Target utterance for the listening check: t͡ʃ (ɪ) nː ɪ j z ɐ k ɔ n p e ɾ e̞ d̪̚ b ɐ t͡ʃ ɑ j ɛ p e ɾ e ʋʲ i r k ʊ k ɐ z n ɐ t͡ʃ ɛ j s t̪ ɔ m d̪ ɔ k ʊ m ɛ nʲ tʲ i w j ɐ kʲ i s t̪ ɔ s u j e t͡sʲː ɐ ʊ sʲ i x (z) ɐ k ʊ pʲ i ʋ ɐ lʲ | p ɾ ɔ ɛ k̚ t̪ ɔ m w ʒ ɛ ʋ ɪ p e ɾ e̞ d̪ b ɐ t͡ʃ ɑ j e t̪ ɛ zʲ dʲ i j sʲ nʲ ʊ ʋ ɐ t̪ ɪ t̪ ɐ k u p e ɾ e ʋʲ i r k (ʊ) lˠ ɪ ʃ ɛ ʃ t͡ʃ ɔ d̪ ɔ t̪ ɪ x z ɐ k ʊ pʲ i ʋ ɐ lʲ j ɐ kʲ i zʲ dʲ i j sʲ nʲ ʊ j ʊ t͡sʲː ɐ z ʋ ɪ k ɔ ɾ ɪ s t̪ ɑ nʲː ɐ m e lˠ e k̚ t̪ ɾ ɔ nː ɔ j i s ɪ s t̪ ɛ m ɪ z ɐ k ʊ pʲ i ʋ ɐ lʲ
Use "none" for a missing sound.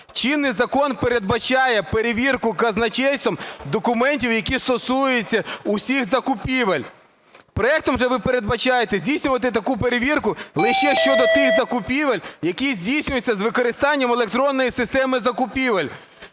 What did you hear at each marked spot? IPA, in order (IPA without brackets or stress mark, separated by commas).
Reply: i, z, ʊ